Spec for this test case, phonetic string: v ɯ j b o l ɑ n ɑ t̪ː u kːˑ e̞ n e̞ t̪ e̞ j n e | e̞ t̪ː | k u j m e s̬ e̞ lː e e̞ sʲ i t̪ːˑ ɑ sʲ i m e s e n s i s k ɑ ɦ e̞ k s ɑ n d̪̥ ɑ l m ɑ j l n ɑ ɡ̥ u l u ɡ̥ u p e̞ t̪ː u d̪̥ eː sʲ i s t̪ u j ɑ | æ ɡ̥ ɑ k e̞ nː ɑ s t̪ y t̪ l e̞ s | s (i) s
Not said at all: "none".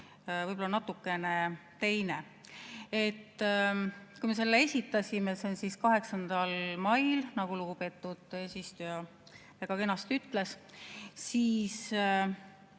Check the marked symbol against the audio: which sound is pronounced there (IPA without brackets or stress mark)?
iː